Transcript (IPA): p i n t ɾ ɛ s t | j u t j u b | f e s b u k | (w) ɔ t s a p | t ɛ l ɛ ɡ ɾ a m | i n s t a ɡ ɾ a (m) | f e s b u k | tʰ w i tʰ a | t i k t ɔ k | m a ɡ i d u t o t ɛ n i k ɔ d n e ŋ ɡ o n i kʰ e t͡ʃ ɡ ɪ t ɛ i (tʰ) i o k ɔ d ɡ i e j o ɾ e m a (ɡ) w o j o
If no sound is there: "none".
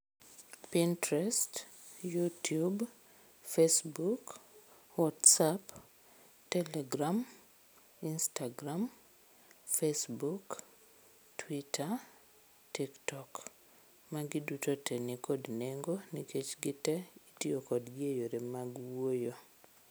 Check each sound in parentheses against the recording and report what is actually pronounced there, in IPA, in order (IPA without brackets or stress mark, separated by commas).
w, m, t, ɡ